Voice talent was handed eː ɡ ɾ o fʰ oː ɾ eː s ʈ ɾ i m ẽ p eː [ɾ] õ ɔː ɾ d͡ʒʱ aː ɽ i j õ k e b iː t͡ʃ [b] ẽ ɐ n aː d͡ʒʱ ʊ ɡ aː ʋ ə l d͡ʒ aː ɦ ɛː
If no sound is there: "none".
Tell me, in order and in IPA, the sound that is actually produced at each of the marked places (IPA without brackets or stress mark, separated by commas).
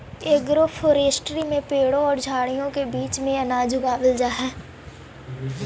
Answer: ɽ, m